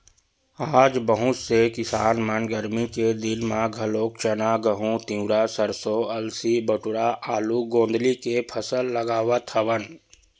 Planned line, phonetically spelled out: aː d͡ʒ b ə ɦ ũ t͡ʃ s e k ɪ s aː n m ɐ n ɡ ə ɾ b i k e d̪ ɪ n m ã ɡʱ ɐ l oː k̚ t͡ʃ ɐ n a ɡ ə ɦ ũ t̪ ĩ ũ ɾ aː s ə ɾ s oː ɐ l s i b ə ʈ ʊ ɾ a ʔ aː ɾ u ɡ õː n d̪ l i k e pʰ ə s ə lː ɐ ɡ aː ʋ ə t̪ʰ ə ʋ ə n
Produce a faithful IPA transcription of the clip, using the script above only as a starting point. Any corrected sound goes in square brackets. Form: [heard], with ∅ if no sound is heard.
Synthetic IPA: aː d͡ʒ b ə ɦ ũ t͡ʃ s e k ɪ s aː n m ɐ n ɡ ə ɾ [m] i k e d̪ ɪ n m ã ɡʱ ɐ l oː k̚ t͡ʃ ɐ n a ɡ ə ɦ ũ t̪ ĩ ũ ɾ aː s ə ɾ s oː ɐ l s i b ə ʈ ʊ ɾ a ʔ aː [l] u ɡ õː n d̪ l i k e pʰ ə s ə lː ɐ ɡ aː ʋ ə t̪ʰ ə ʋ ə n